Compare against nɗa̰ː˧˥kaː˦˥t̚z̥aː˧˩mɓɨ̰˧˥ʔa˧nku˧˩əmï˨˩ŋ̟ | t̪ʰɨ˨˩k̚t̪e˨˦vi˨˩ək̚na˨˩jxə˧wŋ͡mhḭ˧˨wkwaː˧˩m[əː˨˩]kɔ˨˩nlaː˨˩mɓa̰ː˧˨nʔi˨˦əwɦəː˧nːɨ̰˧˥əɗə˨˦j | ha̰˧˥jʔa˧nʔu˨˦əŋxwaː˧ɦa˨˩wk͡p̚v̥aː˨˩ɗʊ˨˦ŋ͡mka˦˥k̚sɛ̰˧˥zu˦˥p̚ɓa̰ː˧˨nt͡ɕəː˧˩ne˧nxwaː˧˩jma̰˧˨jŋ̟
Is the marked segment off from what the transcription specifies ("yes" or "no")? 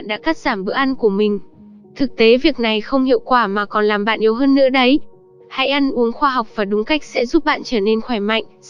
yes